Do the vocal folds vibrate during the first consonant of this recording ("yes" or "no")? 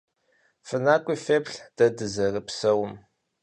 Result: no